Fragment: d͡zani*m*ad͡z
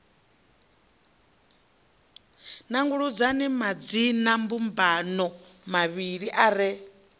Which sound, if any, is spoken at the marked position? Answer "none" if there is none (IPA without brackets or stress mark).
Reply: m